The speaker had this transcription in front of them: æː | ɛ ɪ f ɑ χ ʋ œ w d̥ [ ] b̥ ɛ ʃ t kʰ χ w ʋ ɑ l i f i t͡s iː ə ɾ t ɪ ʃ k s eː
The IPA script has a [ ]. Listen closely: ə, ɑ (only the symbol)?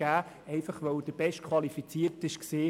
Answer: ə